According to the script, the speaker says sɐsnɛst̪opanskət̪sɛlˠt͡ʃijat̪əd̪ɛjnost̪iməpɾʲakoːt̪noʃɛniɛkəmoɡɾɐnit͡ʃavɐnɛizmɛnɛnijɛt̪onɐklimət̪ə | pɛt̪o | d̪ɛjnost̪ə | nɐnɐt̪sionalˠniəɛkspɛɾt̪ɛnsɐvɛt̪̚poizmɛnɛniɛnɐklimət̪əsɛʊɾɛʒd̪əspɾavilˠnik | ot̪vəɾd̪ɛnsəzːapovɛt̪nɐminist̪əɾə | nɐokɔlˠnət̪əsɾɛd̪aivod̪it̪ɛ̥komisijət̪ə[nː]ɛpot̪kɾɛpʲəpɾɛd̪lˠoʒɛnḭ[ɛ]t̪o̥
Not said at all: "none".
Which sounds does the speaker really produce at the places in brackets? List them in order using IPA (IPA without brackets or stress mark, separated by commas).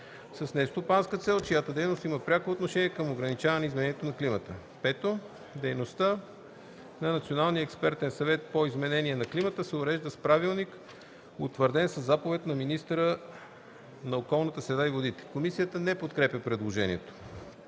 n, ɛ